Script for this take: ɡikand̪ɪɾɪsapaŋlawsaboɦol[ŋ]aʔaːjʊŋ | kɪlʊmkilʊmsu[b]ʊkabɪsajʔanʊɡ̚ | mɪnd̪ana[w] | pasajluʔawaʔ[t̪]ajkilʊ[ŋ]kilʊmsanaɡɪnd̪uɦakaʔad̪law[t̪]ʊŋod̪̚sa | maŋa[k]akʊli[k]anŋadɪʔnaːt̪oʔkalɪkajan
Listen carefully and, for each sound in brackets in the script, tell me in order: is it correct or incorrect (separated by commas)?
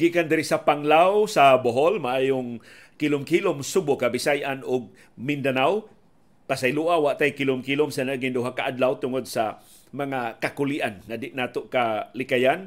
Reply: incorrect, correct, correct, correct, incorrect, correct, correct, incorrect